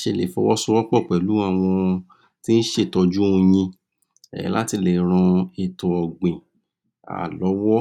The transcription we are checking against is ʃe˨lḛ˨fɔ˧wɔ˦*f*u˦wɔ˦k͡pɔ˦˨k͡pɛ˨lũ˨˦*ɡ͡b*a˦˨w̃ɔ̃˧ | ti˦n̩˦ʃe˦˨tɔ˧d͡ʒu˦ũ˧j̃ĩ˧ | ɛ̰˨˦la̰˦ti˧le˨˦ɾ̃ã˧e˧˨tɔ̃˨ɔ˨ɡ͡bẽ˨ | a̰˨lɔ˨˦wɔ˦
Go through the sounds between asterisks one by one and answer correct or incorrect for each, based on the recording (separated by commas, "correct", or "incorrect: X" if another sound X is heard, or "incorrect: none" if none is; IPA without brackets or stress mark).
incorrect: s, incorrect: none